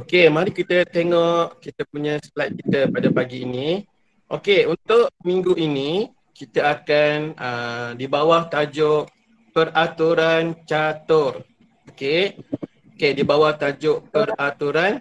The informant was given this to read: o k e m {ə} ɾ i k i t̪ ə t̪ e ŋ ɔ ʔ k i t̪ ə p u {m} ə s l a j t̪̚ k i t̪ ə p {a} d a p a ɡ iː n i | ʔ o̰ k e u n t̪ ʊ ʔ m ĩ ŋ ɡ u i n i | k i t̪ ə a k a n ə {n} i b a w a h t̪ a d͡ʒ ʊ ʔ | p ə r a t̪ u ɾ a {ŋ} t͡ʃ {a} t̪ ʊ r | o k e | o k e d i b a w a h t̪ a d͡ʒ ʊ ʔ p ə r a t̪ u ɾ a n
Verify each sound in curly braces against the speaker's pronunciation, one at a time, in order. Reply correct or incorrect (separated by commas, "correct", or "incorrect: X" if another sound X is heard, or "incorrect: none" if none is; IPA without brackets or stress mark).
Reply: incorrect: a, incorrect: ɲ, correct, incorrect: d, incorrect: n, correct